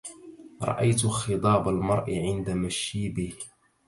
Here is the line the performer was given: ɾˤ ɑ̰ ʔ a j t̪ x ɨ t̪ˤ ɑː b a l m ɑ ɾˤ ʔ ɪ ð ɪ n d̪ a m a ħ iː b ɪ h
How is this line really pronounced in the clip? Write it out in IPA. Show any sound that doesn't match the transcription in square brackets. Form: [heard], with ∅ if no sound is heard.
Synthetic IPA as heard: ɾˤ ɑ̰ ʔ a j t̪ x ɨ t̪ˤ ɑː b a l m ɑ ɾˤ ʔ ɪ [ʕ] ɪ n d̪ a m a [ʃ] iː b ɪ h